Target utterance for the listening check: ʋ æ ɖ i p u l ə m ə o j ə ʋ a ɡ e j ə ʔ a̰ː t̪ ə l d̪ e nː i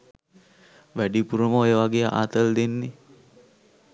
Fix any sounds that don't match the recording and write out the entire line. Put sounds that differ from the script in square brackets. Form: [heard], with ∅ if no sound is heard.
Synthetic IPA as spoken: ʋ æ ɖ i p u [ɾ] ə m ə o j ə ʋ a ɡ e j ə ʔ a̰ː t̪ ə l d̪ e nː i